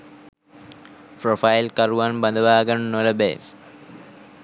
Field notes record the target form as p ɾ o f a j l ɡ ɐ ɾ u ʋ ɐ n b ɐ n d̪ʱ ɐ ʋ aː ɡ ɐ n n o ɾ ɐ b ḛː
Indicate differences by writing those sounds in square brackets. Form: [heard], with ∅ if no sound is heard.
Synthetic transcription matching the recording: p ɾ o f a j l [k] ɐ ɾ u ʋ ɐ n b ɐ n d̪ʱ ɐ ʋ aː ɡ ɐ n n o [l] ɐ b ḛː